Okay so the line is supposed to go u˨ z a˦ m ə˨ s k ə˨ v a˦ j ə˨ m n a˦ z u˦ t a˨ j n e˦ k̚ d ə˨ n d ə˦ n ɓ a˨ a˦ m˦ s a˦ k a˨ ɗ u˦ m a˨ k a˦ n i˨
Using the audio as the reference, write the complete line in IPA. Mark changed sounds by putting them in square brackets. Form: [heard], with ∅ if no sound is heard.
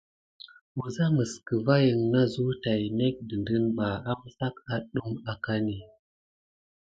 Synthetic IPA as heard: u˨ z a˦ m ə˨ s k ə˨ v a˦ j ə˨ [ŋ] n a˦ z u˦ t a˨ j n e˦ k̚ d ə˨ n d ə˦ n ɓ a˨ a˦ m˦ s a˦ k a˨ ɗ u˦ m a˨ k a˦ n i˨